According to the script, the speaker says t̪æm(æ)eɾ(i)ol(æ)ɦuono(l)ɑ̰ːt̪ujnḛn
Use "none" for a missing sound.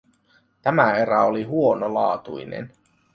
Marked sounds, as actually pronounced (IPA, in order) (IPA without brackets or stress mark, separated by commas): æ, æ, i, l